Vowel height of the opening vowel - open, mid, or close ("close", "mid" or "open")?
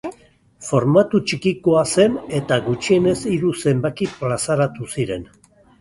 mid